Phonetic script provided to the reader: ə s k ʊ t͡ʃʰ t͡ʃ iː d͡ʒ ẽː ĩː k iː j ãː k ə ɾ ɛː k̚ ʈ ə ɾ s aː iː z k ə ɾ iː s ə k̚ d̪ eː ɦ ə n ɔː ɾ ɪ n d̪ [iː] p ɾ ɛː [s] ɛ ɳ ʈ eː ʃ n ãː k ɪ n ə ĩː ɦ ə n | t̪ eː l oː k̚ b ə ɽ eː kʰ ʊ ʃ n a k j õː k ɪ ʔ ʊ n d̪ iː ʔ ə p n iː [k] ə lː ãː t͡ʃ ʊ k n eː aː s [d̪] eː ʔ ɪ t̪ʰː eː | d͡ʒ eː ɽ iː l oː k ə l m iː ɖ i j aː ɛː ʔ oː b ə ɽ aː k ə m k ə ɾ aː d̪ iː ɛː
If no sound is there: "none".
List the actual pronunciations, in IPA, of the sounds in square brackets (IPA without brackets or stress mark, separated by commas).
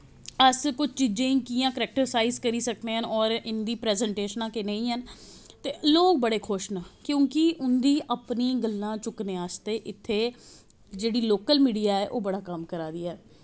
iː, z, ɡ, t̪